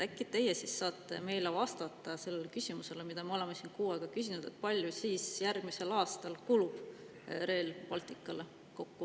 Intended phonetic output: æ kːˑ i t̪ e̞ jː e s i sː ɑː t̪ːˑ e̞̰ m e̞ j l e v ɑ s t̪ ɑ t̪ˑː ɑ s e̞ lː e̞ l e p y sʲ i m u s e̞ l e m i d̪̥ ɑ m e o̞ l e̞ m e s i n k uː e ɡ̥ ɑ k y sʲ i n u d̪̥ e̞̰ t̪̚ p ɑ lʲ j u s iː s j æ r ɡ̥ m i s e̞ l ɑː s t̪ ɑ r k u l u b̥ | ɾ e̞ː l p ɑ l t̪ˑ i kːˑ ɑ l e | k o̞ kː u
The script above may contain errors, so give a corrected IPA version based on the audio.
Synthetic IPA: æ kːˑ i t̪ e̞ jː e s i sː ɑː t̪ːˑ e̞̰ m e̞ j l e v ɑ s t̪ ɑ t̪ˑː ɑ s e̞ lː e̞ l e k y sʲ i m u s e̞ l e m i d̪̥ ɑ m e o̞ l e̞ m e s i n k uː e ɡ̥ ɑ k y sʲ i n u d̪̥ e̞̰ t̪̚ p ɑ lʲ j u s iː s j æ r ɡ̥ m i s e̞ l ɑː s t̪ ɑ l k u l u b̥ | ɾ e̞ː l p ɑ l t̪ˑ i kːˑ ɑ l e | k o̞ kː u